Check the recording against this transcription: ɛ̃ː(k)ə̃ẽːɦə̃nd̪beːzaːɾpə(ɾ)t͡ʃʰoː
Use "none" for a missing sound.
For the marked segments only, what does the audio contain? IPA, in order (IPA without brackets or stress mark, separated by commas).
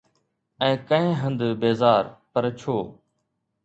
k, ɾ